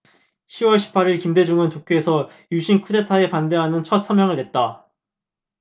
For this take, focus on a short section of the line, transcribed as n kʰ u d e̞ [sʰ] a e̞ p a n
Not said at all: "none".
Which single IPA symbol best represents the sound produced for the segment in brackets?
tʰ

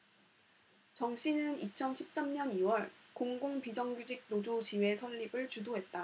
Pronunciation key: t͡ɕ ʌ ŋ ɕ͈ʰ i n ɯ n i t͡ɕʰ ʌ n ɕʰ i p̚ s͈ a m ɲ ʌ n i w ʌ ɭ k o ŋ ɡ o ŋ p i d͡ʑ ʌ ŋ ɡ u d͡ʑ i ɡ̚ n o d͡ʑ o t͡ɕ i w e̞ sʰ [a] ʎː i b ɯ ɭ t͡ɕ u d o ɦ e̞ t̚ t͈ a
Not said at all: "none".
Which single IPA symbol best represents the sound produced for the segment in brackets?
ʌ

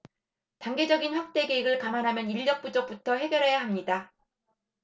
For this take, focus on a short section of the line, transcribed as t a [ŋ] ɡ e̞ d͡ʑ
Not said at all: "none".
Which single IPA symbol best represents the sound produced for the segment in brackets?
ŋ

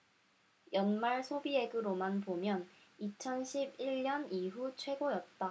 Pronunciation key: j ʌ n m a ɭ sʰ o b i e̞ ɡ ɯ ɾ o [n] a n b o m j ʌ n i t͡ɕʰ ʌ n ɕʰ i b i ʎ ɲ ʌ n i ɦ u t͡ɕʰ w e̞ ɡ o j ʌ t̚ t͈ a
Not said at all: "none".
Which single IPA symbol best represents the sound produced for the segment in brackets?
m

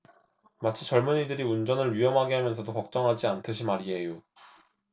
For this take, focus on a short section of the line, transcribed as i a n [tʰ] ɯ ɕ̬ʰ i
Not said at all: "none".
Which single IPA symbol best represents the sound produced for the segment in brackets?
tʰ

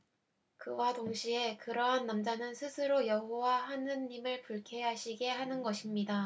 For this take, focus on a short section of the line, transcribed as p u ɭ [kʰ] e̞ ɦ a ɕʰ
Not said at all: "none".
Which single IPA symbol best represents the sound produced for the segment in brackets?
kʰ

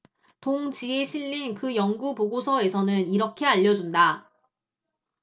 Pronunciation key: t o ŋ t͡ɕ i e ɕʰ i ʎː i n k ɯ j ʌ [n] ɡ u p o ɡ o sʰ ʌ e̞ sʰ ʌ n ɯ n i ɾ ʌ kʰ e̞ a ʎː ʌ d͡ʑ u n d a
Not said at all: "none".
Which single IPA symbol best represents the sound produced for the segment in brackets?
ŋ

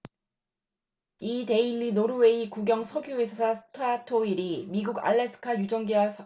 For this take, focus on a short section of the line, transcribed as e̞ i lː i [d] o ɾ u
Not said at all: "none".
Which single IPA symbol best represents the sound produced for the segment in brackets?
n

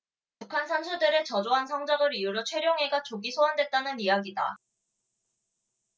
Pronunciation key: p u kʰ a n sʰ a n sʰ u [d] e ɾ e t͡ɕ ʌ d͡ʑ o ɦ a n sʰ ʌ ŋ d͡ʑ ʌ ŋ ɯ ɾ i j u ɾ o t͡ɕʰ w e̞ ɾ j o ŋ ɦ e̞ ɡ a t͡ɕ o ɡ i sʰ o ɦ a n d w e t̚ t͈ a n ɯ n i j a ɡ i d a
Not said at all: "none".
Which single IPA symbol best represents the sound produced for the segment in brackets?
d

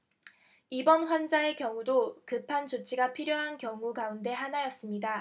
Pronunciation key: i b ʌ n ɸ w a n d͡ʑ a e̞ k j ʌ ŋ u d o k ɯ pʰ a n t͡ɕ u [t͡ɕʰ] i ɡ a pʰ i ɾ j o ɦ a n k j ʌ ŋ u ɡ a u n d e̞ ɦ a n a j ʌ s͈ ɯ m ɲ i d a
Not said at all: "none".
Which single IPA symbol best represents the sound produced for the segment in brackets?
t͡ɕʰ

